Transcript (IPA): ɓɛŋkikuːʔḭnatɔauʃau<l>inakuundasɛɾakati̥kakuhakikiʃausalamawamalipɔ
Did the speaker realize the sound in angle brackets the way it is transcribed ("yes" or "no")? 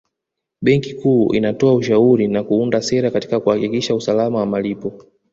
no